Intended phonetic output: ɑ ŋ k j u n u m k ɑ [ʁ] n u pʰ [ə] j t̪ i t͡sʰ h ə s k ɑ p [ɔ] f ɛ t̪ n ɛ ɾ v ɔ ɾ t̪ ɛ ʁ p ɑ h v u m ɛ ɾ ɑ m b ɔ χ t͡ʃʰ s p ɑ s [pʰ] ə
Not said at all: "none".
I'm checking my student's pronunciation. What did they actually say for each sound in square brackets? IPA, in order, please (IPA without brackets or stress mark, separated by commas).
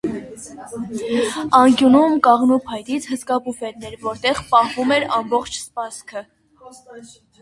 ʁ, ɑ, u, kʰ